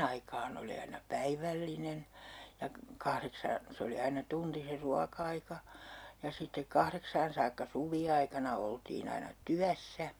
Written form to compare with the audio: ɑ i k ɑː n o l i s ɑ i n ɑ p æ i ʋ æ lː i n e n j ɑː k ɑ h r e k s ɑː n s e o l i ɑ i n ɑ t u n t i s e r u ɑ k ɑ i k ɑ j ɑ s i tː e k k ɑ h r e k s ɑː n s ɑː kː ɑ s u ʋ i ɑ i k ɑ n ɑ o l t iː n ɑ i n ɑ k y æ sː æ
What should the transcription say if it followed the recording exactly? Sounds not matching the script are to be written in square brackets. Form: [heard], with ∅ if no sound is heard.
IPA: ɑ i k ɑː n o l i [∅] ɑ i n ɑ p æ i ʋ æ lː i n e n j [ɑ] k ɑ h r e k s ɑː n s e o l i ɑ i n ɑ t u n t i s e r u ɑ k ɑ i k ɑ j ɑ s i tː e k k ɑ h r e k s ɑː n s ɑː kː ɑ s u ʋ i ɑ i k ɑ n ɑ o l t iː n ɑ i n ɑ [t] y æ sː æ